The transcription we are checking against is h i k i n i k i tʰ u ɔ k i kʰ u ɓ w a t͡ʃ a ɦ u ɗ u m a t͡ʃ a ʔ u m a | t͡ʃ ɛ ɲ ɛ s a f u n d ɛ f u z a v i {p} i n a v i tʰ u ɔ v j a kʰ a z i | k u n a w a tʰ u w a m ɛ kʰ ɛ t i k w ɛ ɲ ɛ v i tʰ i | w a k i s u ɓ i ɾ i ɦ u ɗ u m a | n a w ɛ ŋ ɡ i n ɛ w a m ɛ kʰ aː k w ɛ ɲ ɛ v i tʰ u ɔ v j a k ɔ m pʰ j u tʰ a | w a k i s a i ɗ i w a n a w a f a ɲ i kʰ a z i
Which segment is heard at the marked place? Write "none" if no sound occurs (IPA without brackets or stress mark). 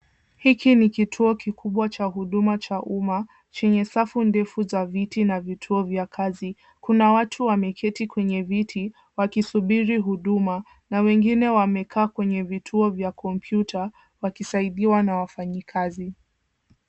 t